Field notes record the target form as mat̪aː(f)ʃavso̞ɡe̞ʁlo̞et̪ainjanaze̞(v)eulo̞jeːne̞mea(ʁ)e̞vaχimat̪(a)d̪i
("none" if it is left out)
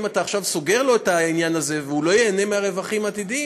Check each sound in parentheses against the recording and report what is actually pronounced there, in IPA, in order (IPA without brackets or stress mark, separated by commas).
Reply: χ, v, ʁ, i